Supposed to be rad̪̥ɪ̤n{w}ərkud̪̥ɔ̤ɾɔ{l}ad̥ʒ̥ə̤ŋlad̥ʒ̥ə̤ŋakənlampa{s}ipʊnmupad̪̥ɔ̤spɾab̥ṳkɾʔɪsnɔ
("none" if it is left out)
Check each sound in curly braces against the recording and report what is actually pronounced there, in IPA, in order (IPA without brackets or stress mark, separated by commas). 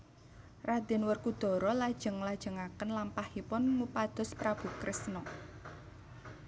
w, l, h